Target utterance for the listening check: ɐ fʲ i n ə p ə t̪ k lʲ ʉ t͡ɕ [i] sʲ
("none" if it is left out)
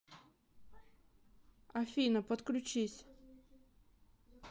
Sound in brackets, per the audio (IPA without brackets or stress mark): i